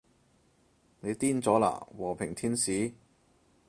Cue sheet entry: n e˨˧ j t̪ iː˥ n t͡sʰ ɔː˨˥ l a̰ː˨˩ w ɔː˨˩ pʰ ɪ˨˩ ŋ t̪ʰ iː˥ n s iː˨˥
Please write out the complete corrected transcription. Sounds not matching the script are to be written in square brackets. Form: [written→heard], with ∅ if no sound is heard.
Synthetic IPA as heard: n e˨˧ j t̪ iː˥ n [t͡sʰ→t͡s] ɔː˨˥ l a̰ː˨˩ w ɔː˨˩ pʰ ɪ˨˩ ŋ t̪ʰ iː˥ n s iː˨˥

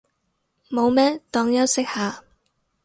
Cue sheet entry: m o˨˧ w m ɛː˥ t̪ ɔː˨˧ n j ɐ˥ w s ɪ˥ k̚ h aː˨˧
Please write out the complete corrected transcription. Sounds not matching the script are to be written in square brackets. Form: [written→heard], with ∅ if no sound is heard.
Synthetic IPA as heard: m o˨˧ w m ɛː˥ t̪ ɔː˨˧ [n→ŋ] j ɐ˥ w s ɪ˥ k̚ h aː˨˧

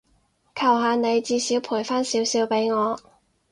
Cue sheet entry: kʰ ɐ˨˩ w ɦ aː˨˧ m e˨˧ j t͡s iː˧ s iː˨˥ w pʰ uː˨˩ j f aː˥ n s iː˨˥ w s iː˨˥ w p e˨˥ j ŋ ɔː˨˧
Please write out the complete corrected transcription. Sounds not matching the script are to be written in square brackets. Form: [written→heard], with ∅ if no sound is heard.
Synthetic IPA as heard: kʰ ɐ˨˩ w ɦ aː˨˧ [m→n] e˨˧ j t͡s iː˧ s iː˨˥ w pʰ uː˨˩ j f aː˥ n s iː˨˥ w s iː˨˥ w p e˨˥ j ŋ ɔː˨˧

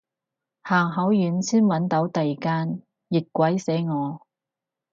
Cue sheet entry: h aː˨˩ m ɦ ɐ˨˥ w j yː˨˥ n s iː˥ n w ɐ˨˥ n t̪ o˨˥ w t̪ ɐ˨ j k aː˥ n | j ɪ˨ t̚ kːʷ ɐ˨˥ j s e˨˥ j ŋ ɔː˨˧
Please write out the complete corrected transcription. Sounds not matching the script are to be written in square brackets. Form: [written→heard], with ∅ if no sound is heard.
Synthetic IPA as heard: h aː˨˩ [m→ŋ] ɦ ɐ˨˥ w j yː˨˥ n s iː˥ n w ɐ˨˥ n t̪ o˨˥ w t̪ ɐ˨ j k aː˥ n | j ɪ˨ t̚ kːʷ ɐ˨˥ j s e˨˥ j ŋ ɔː˨˧

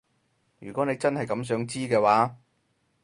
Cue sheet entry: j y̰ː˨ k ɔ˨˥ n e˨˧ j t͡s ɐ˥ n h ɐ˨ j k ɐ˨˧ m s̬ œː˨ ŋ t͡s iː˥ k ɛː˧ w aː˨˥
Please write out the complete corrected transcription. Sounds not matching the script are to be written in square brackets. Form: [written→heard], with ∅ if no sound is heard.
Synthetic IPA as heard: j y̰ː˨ k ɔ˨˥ n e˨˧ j t͡s ɐ˥ n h ɐ˨ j k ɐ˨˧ m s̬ [œː˨→œː˨˥] ŋ t͡s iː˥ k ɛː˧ w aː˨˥

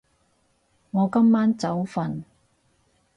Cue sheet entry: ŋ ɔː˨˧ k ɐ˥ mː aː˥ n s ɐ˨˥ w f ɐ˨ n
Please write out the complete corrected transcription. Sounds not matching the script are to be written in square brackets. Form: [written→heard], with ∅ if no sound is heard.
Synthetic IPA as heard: ŋ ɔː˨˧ k ɐ˥ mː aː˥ n [s→t͡s] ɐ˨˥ w f ɐ˨ n

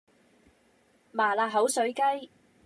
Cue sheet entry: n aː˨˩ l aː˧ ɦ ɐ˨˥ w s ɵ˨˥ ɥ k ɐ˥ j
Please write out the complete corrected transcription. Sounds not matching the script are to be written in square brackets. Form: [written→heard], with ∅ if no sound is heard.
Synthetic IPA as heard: [n→m] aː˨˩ l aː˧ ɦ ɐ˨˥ w s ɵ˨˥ ɥ k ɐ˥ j

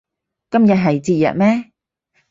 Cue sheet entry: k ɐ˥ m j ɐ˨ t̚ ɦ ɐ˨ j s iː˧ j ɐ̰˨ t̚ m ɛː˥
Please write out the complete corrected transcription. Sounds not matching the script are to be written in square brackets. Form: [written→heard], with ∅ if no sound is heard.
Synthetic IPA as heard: k ɐ˥ m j ɐ˨ t̚ ɦ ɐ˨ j [s→t͡s] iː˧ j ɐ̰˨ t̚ m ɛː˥

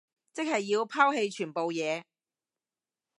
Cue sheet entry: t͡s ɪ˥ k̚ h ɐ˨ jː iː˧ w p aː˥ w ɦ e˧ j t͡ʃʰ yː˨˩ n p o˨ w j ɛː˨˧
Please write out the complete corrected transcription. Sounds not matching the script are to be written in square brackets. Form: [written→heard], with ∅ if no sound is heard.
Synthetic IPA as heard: t͡s ɪ˥ k̚ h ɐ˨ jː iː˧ w [p→pʰ] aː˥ w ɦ e˧ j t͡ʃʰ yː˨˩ n p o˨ w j ɛː˨˧

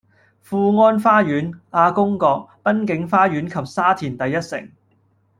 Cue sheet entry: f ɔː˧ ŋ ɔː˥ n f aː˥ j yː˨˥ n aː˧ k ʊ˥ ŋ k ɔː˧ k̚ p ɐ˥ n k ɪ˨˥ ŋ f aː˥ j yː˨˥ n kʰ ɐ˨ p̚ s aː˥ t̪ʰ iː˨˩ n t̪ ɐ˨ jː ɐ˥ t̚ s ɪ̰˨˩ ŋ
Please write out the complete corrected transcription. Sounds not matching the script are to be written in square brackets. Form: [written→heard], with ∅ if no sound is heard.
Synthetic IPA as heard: f [ɔː˧→uː˧] ŋ ɔː˥ n f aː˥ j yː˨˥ n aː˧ k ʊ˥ ŋ k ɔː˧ k̚ p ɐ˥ n k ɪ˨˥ ŋ f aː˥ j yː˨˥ n kʰ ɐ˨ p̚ s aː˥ t̪ʰ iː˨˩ n t̪ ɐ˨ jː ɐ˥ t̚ s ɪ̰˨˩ ŋ

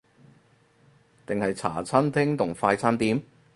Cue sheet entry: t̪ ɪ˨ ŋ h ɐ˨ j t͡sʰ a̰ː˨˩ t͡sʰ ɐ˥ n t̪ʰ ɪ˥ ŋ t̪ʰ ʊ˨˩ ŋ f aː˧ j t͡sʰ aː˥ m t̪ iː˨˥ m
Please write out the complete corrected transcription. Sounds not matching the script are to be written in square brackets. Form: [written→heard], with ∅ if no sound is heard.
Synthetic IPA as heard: t̪ ɪ˨ ŋ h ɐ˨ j t͡sʰ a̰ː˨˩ t͡sʰ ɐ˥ n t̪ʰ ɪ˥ ŋ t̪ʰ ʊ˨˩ ŋ f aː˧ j t͡sʰ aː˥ [m→n] t̪ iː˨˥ m

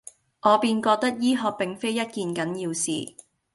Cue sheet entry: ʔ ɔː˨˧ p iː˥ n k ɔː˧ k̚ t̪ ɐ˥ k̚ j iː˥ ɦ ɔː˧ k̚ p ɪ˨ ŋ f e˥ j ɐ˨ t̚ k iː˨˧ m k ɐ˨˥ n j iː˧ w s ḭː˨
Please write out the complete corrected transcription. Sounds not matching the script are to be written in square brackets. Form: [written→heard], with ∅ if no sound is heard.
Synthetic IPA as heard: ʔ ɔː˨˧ p [iː˥→iː˧] n k ɔː˧ k̚ t̪ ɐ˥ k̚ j iː˥ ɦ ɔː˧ k̚ p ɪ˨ ŋ f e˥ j [ɐ˨→ɐ˥] t̚ k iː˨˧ [m→n] k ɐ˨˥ n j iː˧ w s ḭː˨

